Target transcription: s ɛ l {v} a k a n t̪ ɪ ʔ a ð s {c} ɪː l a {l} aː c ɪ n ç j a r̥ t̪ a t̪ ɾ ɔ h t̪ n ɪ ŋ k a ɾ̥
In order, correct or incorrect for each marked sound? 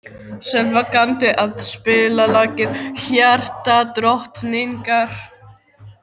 correct, incorrect: p, correct

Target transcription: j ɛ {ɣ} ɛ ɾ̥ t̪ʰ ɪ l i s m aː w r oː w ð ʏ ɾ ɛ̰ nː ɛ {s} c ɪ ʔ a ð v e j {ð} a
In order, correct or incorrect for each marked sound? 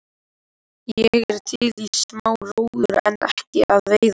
correct, incorrect: h, correct

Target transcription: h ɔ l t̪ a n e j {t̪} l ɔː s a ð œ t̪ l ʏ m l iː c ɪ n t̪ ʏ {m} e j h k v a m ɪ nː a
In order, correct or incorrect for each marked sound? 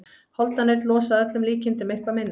correct, correct

